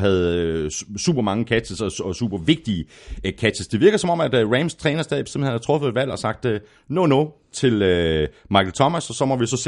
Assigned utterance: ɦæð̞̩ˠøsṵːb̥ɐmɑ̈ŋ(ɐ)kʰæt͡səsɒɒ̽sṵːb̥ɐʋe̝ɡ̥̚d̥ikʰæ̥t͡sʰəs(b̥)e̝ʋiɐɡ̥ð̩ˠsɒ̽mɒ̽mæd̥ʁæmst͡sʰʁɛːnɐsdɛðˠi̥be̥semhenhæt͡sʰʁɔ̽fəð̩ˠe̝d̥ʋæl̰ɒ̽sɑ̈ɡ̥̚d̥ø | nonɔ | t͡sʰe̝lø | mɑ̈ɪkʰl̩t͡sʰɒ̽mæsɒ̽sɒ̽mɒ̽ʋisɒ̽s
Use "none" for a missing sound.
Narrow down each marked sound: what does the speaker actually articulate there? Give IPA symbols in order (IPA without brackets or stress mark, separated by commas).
ə, d̥